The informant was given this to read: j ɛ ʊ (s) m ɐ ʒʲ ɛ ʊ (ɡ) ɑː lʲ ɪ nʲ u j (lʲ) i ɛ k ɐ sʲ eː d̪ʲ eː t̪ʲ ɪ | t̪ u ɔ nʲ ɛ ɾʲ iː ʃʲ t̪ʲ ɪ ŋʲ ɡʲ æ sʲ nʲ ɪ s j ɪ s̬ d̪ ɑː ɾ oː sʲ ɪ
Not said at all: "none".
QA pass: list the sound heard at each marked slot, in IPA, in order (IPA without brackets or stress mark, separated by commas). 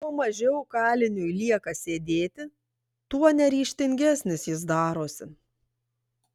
none, k, lʲ